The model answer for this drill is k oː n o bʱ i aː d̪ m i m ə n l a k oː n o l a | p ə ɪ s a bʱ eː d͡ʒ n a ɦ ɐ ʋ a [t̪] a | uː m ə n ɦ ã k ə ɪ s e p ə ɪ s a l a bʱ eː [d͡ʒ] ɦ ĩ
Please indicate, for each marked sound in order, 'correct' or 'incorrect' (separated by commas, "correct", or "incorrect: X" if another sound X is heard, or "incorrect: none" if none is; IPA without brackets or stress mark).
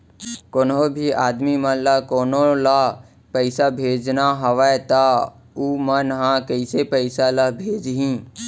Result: correct, correct